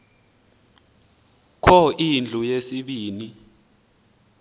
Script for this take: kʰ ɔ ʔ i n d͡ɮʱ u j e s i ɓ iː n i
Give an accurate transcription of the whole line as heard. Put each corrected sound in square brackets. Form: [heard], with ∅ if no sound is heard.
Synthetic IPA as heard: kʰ ɔ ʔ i n d͡ɮʱ u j e s i ɓ iː n i